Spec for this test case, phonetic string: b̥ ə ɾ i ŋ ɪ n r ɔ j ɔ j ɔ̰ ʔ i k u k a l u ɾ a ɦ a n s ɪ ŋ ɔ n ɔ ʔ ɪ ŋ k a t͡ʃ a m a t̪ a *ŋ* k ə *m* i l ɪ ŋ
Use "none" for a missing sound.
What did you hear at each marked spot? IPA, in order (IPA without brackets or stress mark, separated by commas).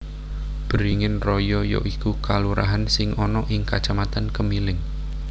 n, m